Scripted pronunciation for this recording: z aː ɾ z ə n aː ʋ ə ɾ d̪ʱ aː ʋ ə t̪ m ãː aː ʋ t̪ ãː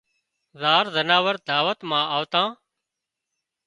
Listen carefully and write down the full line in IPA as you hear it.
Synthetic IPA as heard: z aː ɾ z ə n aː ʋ ə ɾ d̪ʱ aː ʋ ə t̪ m ãː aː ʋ t̪ ãː